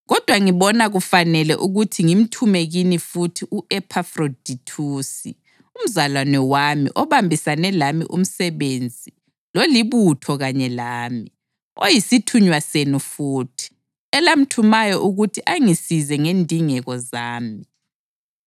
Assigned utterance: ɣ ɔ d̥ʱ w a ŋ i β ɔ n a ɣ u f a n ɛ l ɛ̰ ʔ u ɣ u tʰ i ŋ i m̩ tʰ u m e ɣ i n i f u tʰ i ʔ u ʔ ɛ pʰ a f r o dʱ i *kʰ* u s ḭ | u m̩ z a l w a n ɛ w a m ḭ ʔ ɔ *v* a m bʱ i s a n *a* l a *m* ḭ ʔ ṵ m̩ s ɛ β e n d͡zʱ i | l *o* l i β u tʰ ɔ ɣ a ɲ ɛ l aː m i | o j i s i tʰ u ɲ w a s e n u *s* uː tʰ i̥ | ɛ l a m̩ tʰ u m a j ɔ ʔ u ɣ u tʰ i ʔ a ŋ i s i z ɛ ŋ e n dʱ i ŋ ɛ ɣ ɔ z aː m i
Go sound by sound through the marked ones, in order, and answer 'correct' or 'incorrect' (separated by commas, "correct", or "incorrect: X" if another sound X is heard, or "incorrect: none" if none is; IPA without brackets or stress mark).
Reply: incorrect: tʰ, incorrect: β, incorrect: ɛ, correct, correct, incorrect: f